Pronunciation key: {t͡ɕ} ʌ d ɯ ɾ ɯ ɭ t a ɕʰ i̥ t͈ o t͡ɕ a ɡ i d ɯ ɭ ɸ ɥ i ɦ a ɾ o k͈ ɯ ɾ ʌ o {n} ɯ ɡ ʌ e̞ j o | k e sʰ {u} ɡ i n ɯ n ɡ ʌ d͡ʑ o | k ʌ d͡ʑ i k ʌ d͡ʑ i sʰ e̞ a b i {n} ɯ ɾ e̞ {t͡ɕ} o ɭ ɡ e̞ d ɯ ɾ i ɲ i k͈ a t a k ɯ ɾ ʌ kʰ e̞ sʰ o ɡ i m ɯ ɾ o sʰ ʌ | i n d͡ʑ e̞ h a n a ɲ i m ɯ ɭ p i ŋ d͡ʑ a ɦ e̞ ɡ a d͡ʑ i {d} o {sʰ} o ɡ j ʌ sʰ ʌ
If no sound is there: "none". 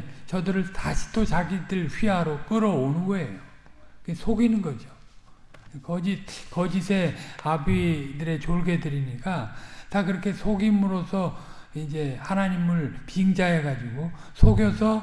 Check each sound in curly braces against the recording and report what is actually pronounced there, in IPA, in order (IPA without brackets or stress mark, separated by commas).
t͡ɕ, n, o, d, t͡ɕ, ɡ, sʰ